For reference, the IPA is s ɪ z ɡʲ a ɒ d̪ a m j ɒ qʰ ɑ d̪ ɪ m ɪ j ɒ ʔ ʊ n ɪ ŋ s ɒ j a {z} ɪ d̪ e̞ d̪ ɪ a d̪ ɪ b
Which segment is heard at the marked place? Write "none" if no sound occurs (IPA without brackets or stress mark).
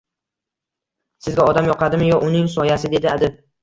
s